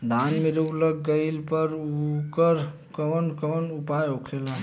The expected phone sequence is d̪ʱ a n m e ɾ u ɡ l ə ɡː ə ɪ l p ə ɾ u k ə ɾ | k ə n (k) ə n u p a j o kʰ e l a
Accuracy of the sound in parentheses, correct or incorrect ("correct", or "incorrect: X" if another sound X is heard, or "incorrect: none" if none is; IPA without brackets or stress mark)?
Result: correct